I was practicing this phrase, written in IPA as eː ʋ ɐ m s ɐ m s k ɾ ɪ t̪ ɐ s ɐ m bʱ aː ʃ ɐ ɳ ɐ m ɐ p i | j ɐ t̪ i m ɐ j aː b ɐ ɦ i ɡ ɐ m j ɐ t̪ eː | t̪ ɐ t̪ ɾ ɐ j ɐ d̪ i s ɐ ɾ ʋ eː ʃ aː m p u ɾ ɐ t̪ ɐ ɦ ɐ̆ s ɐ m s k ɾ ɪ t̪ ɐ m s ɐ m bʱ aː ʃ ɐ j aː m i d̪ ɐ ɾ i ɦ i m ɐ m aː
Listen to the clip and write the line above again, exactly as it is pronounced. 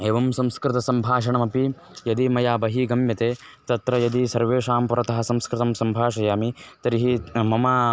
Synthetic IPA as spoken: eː ʋ ɐ m s ɐ m s k ɾ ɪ t̪ ɐ s ɐ m bʱ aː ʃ ɐ ɳ ɐ m ɐ p i | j ɐ d̪ i m ɐ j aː b ɐ ɦ i ɡ ɐ m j ɐ t̪ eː | t̪ ɐ t̪ ɾ ɐ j ɐ d̪ i s ɐ ɾ ʋ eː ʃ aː m p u ɾ ɐ t̪ ɐ ɦ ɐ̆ s ɐ m s k ɾ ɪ t̪ ɐ m s ɐ m bʱ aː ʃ ɐ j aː m i t̪ ɐ ɾ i ɦ i m ɐ m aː